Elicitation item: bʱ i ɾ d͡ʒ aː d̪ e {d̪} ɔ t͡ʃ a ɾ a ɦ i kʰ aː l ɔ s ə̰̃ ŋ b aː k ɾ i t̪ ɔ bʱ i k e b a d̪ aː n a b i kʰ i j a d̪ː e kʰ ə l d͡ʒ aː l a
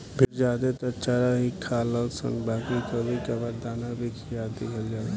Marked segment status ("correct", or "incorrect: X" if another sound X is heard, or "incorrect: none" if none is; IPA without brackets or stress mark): incorrect: t̪